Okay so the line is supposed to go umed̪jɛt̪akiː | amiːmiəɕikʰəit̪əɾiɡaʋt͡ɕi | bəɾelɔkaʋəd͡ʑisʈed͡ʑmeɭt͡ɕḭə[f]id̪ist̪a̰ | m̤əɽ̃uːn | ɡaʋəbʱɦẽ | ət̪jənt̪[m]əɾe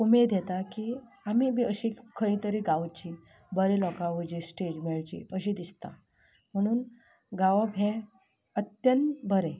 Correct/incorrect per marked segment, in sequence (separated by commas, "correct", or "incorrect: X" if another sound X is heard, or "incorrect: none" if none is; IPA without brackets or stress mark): incorrect: ɕ, incorrect: b